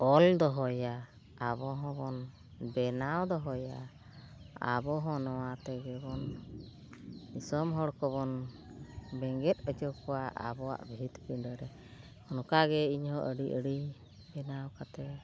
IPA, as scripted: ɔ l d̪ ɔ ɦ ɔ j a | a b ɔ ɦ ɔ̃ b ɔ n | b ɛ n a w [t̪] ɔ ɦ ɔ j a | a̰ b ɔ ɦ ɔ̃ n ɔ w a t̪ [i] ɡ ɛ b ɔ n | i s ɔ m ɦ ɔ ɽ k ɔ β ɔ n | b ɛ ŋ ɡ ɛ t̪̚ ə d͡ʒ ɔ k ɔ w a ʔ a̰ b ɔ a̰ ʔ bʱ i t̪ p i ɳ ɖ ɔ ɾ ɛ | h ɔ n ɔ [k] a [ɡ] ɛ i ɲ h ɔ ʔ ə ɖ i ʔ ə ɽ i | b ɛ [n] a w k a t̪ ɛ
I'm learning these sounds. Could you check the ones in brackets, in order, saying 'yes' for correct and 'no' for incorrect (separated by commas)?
no, no, yes, yes, yes